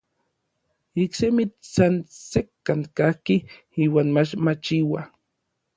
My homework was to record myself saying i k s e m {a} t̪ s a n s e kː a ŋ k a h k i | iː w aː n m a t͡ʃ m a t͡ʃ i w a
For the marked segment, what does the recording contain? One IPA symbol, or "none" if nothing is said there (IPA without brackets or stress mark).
i